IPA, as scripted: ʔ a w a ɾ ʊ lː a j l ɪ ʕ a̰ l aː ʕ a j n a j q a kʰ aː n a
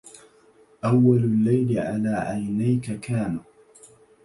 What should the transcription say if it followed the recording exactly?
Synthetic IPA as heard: ʔ a wː a l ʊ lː a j l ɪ ʕ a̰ l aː ʕ a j n a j k a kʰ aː n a